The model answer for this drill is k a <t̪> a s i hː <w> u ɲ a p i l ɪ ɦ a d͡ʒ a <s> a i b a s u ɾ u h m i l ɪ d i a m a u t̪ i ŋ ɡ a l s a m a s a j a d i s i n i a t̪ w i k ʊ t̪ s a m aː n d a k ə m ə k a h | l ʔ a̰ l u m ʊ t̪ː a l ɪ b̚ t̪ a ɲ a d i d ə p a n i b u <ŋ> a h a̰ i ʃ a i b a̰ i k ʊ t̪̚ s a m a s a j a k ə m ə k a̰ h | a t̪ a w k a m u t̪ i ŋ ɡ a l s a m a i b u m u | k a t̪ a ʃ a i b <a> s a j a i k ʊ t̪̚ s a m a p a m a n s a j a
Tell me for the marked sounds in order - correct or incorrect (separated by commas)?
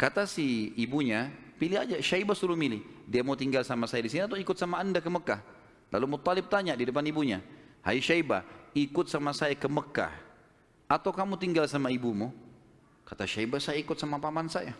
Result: correct, incorrect, incorrect, incorrect, correct